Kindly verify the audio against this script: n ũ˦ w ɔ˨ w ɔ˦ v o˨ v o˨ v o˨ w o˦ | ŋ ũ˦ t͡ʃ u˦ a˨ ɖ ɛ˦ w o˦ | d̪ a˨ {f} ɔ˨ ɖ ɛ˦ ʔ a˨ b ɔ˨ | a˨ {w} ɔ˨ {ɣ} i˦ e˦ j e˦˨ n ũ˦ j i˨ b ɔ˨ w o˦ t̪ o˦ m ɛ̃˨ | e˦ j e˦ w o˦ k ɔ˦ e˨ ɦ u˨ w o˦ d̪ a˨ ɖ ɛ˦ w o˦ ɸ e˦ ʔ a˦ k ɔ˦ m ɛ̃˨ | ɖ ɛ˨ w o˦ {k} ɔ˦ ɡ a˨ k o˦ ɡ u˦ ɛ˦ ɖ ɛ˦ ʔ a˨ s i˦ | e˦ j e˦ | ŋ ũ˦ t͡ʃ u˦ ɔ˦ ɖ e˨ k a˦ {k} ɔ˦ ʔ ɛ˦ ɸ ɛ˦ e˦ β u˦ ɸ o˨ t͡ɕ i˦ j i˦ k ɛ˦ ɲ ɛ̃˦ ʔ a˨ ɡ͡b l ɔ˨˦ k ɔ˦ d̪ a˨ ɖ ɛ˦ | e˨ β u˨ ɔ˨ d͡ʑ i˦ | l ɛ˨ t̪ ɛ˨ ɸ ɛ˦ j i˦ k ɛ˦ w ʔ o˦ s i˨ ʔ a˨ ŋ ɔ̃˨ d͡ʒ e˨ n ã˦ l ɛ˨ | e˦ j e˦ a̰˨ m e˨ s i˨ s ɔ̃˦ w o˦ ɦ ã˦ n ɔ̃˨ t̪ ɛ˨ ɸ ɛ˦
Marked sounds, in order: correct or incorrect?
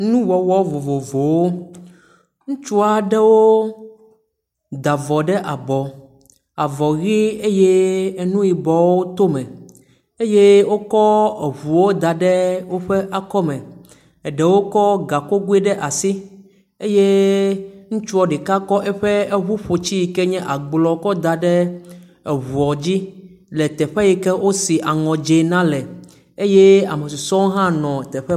incorrect: v, incorrect: v, correct, correct, correct

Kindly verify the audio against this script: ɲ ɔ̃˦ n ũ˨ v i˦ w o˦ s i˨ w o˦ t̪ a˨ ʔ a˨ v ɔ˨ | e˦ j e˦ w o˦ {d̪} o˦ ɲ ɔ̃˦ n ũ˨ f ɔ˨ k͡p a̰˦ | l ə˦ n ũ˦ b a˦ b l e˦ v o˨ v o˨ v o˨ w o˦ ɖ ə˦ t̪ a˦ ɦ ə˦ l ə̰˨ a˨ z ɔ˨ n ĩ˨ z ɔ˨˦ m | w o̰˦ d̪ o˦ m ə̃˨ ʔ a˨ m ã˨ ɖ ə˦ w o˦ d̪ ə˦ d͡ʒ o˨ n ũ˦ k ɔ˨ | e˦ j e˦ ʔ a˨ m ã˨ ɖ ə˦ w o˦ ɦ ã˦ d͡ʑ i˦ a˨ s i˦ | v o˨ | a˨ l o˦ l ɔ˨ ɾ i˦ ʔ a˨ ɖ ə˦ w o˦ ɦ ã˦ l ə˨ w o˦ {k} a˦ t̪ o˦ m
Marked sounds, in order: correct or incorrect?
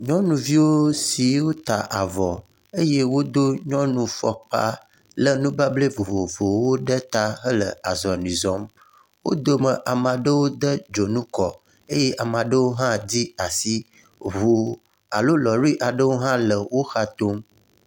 correct, incorrect: x

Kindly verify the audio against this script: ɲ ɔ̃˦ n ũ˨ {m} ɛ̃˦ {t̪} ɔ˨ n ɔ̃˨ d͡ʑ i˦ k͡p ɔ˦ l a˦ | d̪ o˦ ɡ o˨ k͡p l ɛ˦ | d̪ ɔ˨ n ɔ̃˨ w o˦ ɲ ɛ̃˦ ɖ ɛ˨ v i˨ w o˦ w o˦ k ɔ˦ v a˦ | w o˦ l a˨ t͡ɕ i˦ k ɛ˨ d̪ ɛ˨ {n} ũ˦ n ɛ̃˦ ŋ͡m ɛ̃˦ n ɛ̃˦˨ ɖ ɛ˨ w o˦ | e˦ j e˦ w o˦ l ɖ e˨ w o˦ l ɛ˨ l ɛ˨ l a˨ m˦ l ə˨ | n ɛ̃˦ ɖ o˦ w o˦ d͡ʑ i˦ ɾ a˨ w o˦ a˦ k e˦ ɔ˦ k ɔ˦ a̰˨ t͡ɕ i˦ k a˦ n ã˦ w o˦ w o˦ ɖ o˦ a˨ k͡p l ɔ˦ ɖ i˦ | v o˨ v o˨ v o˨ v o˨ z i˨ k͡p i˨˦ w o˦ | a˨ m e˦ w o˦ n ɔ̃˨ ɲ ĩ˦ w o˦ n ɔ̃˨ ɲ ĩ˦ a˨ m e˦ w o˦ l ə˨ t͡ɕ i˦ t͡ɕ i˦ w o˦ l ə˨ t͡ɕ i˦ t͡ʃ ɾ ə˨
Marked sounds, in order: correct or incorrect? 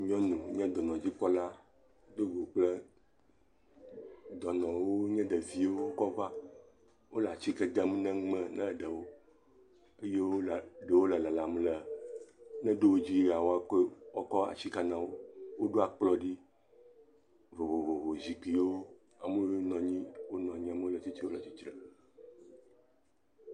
incorrect: ɲ, incorrect: d̪, incorrect: m

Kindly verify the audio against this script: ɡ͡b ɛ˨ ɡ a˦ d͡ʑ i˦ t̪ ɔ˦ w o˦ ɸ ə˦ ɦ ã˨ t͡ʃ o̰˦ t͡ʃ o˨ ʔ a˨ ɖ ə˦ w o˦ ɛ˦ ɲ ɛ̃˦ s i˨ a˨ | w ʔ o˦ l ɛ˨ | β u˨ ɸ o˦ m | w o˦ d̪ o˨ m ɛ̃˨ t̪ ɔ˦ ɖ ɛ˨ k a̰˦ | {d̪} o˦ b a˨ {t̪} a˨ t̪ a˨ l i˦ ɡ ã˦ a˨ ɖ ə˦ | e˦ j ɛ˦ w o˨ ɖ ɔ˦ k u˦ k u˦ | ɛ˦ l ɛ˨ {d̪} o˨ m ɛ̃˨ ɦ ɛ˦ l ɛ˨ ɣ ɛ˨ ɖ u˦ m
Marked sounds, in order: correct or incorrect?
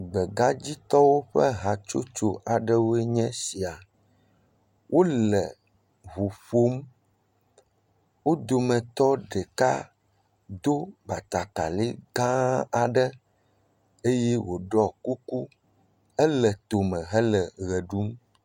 correct, correct, incorrect: t̪

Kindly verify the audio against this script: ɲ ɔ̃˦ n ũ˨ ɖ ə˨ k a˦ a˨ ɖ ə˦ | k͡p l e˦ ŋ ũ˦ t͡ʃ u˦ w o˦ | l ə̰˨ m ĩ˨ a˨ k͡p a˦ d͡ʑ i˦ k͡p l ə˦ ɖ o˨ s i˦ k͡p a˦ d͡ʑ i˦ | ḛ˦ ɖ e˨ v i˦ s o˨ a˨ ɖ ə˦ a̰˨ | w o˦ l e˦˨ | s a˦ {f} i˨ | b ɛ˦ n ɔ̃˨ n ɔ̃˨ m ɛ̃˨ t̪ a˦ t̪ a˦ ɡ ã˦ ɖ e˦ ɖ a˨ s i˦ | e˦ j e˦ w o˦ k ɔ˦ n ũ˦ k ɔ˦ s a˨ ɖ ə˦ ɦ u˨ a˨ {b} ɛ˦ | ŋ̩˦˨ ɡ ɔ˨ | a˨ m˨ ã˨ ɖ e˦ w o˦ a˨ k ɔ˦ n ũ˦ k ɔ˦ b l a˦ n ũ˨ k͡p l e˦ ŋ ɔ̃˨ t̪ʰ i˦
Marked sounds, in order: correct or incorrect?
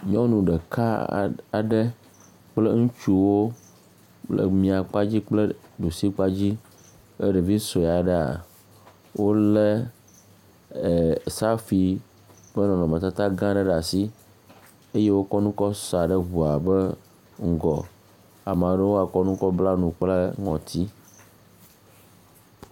correct, correct

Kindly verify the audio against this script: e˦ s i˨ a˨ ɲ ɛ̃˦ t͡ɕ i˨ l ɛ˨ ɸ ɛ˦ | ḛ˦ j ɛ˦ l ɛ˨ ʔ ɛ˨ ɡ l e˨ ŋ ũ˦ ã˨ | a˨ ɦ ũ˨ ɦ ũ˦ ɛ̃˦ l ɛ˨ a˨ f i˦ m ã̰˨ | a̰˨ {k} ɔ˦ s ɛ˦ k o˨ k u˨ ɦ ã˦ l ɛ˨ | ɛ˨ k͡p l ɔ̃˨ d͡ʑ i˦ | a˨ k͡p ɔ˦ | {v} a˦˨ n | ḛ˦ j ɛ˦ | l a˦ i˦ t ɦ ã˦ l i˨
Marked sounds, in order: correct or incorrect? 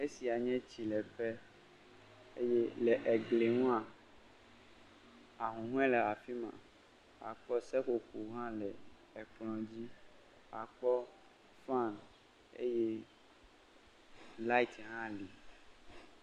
incorrect: k͡p, incorrect: f

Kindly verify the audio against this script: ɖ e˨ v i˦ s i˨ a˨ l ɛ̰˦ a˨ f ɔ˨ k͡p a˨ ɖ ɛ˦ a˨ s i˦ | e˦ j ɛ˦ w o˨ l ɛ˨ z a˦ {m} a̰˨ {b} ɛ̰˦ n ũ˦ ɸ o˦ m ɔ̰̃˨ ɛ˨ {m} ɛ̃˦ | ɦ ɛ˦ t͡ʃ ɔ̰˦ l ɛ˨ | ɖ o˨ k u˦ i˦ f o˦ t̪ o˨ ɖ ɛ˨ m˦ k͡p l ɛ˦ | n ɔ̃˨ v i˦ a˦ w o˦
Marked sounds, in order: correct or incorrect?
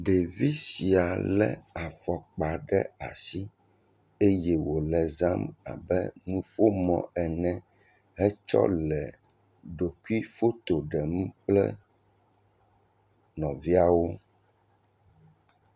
correct, correct, incorrect: n

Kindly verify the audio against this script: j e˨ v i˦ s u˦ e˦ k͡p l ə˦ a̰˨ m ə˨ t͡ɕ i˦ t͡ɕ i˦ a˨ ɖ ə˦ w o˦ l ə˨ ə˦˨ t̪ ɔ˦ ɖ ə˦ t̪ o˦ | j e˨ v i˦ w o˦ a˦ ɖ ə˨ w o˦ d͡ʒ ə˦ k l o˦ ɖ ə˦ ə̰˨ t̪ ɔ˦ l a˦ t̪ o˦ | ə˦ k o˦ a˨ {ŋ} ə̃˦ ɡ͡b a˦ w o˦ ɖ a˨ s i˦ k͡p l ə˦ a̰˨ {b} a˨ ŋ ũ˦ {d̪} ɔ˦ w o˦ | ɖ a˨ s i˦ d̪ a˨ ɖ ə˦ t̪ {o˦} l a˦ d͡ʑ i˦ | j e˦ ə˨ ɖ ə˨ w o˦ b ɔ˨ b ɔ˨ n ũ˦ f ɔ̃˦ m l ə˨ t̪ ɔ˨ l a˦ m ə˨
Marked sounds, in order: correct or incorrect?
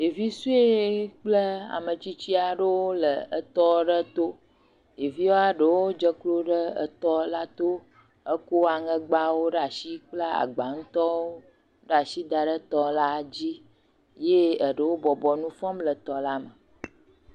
correct, incorrect: ɡ͡b, incorrect: t̪, incorrect: ɔ˦

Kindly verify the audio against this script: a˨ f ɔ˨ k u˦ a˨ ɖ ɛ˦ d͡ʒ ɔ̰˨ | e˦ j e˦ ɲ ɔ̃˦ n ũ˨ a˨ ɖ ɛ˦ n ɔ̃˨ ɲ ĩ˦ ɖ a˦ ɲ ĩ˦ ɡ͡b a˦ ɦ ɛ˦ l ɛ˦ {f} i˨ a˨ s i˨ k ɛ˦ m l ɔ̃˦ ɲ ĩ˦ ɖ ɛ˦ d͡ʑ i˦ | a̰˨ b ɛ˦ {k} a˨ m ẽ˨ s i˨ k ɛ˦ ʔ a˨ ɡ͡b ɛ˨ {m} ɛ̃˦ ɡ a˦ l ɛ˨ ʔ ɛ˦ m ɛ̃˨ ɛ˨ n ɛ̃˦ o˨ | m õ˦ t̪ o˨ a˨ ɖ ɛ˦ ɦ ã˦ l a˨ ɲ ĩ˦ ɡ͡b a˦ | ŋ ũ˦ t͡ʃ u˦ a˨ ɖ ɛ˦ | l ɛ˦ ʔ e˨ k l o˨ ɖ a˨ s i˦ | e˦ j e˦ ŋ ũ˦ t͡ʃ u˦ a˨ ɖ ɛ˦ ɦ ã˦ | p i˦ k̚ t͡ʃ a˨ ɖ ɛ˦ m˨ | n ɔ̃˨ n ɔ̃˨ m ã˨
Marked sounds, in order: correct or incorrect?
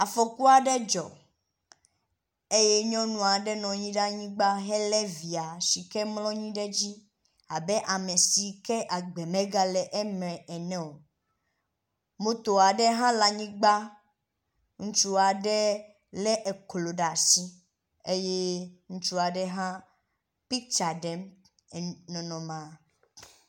incorrect: v, incorrect: ʔ, correct

